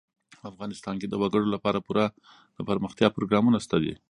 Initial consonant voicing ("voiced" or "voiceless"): voiceless